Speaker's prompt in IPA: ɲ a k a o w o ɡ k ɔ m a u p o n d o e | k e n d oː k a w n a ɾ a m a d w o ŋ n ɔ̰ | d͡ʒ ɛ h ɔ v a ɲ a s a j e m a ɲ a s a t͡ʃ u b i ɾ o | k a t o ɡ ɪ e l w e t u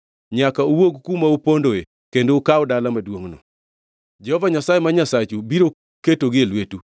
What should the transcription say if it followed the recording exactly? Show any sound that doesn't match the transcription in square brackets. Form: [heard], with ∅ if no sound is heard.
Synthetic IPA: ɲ a k a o w o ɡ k [u] m a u p o n d o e | k e n d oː k a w [d] a [l] a m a d w o ŋ n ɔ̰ | d͡ʒ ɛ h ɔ v a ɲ a s a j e m a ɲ a s a t͡ʃ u b i ɾ o | k [e] t o ɡ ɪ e l w e t u

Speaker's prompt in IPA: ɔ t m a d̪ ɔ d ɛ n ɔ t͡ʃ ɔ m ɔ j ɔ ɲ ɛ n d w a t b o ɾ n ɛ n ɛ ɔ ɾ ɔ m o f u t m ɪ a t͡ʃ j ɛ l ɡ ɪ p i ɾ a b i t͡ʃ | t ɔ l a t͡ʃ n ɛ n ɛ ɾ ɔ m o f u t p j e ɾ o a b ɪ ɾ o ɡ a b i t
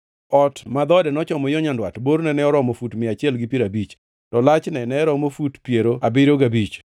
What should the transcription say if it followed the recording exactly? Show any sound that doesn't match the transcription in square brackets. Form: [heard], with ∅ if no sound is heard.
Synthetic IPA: ɔ t m a d̪ ɔ d ɛ n ɔ t͡ʃ ɔ m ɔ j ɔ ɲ [a] n d w a t b o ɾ n ɛ n ɛ ɔ ɾ ɔ m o f u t m ɪ a t͡ʃ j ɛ l ɡ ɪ p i ɾ a b i t͡ʃ | t ɔ l a t͡ʃ n ɛ n ɛ ɾ ɔ m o f u t p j e ɾ o a b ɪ ɾ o ɡ a b i [t͡ʃ]

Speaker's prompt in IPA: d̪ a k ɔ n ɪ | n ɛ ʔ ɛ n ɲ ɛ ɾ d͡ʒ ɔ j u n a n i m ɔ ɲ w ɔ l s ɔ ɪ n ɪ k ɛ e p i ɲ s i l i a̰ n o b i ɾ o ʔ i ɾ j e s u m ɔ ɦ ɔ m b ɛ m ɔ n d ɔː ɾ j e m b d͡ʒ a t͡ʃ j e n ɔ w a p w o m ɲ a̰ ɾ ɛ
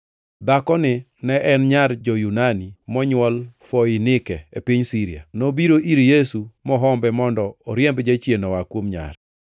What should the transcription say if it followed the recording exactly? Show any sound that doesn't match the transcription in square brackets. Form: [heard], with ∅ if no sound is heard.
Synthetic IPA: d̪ a k ɔ n ɪ | n ɛ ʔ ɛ n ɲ [a] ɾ d͡ʒ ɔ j u n a n i m ɔ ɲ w ɔ l [f] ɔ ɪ n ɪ k ɛ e p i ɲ s i [ɾ] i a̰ n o b i ɾ o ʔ i ɾ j e s u m ɔ ɦ ɔ m b ɛ m ɔ n d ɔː ɾ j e m b d͡ʒ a t͡ʃ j e n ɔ w a [k] w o m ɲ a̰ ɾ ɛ

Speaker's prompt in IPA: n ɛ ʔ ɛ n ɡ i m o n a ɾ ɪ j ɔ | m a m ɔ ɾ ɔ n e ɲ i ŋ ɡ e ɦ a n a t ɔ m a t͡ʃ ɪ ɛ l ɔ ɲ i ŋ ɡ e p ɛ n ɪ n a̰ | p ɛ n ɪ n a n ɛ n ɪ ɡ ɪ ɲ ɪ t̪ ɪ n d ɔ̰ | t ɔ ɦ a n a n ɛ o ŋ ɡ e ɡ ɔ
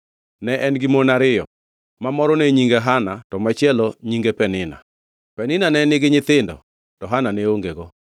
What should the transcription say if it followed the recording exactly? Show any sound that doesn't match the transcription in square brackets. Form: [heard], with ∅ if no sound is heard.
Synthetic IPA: n ɛ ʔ ɛ n ɡ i m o n a ɾ ɪ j ɔ | m a m ɔ ɾ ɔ n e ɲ i ŋ ɡ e ɦ a n a t ɔ m a t͡ʃ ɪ ɛ l ɔ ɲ i ŋ ɡ e p ɛ n ɪ n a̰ | p ɛ n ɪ n a n ɛ n ɪ ɡ ɪ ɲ ɪ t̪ ɪ n d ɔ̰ | t ɔ ɦ a n a n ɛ o ŋ ɡ e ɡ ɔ

